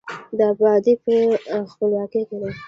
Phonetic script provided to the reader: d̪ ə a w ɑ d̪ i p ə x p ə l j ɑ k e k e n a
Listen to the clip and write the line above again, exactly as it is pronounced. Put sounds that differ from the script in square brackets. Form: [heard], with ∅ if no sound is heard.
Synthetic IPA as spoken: d̪ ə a [b] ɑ d̪ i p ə x p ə l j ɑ k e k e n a